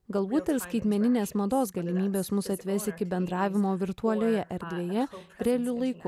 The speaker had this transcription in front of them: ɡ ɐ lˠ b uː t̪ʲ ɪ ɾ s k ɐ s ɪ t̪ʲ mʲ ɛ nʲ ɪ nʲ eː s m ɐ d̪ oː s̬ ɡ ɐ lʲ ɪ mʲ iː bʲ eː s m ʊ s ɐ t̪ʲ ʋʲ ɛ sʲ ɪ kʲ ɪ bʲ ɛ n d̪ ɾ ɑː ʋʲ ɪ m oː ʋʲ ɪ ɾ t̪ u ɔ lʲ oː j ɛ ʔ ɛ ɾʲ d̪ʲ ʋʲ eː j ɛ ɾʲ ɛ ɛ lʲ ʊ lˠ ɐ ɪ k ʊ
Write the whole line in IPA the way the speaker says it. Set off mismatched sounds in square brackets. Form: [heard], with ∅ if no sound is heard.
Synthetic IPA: ɡ ɐ lˠ b uː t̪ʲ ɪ ɾ s k ɐ [∅] ɪ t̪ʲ mʲ ɛ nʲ ɪ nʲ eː s m ɐ d̪ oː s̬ ɡ ɐ lʲ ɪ mʲ iː bʲ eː s m ʊ s ɐ t̪ʲ ʋʲ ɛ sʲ ɪ kʲ ɪ bʲ ɛ n d̪ ɾ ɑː ʋʲ ɪ m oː ʋʲ ɪ ɾ t̪ u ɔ lʲ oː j ɛ ʔ ɛ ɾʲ d̪ʲ ʋʲ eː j ɛ ɾʲ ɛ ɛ lʲ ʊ lˠ ɐ ɪ k ʊ